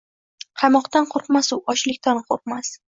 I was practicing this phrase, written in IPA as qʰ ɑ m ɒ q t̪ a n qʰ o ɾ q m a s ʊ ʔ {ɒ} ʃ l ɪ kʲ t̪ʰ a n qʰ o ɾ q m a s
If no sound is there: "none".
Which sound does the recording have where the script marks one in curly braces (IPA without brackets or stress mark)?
ɒ